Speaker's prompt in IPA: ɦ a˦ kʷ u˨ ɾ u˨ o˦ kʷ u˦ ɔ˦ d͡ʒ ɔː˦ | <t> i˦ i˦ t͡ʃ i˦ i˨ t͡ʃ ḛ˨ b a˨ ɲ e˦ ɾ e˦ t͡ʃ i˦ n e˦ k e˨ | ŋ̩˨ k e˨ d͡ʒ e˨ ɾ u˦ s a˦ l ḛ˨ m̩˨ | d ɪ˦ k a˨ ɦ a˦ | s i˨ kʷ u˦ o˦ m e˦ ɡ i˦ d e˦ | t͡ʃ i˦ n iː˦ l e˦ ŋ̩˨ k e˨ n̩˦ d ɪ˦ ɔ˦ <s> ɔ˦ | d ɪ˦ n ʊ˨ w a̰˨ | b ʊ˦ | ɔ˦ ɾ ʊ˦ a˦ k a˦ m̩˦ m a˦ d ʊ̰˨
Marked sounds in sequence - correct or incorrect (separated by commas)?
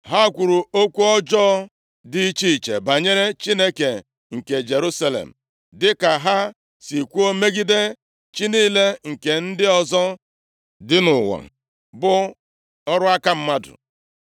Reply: incorrect, incorrect